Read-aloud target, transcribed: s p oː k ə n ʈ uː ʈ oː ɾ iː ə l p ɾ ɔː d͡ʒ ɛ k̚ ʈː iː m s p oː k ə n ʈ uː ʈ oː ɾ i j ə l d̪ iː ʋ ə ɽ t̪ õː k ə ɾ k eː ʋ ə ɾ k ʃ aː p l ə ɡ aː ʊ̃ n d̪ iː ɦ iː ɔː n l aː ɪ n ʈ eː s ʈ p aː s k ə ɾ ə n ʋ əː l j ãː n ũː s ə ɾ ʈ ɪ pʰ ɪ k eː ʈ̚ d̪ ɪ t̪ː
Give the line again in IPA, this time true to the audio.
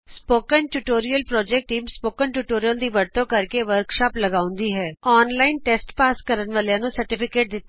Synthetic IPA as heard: s p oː k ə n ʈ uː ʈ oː ɾ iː ə l p ɾ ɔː d͡ʒ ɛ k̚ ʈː iː m s p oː k ə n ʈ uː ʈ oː ɾ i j ə l d̪ iː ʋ ə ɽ t̪ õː k ə ɾ k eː ʋ ə ɾ k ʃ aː p l ə ɡ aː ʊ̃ n d̪ iː ɦ ɛː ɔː n l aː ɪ n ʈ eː s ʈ p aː s k ə ɾ ə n ʋ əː l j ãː n ũː s ə ɾ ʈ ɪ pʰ ɪ k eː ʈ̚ d̪ ɪ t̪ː

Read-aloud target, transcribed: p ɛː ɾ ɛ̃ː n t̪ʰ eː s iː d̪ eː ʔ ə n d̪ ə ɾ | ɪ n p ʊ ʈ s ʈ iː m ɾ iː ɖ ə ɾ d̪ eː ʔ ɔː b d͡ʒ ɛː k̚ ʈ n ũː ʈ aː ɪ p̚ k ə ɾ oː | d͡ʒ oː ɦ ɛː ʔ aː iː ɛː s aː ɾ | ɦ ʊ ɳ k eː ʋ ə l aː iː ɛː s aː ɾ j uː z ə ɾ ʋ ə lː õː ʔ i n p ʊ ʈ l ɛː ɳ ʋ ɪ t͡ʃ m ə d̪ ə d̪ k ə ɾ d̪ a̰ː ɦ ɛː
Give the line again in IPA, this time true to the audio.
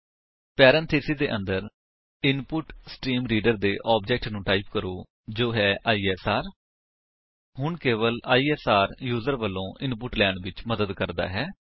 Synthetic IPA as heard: p ɛː ɾ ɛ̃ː n t̪ʰ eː s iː d̪ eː ʔ ə n d̪ ə ɾ | ɪ n p ʊ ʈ s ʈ iː m ɾ iː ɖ ə ɾ d̪ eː ʔ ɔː b d͡ʒ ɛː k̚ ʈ n ũː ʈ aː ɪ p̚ k ə ɾ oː | d͡ʒ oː ɦ ɛː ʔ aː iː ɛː s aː ɾ | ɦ ʊ ɳ k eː ʋ ə l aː iː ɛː s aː ɾ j uː z ə ɾ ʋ ə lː õː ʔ ɪ n p ʊ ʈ l ɛː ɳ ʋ ɪ t͡ʃ m ə d̪ ə d̪ k ə ɾ d̪ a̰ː ɦ ɛː

